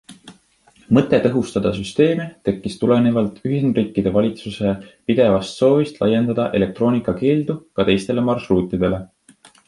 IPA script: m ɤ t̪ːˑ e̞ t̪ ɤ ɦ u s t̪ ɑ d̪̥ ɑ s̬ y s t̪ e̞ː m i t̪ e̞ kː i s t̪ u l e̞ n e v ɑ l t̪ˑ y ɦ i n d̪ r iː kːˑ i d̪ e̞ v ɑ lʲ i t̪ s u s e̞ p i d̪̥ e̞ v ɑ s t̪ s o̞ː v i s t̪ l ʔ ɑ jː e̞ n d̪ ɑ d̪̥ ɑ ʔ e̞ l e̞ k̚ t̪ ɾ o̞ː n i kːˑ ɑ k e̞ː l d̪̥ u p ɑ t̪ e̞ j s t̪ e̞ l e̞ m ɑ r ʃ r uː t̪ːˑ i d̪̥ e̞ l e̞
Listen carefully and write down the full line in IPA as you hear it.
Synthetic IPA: m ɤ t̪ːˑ e̞ t̪ ɤ ɦ u s t̪ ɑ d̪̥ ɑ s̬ y s t̪ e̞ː m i t̪ e̞ kː i s t̪ u l e̞ n e v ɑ l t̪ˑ y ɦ i n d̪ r iː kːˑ i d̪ e̞ v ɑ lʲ i t̪ s u s e̞ p i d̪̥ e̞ v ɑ s t̪ s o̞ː v i s t̪ l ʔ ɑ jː e̞ n d̪ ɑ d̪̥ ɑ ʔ e̞ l e̞ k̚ t̪ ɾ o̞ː n i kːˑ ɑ k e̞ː l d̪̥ u k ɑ t̪ e̞ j s t̪ e̞ l e̞ m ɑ r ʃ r uː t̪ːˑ i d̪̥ e̞ l e̞